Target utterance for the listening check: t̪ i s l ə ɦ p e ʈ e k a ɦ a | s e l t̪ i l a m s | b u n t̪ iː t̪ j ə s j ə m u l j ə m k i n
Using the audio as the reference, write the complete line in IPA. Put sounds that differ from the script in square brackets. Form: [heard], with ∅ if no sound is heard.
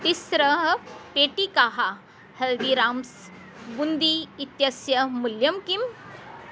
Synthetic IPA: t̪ i s [ɾ] ə ɦ p e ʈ [i] k a ɦ a | [h] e l [d̪] i [ɾ] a m s | b u n [d̪] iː t̪ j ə s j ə m u l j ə m k i [m]